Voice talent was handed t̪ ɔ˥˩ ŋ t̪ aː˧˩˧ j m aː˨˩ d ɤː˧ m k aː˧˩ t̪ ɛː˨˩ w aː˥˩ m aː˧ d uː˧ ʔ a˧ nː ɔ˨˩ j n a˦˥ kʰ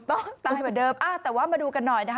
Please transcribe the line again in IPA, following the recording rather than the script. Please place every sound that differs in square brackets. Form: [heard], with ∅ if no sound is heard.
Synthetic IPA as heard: t̪ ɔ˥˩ ŋ t̪ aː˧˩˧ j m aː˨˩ d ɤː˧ m [ʔ] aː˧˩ t̪ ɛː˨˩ w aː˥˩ m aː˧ d uː˧ [k] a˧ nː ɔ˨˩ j n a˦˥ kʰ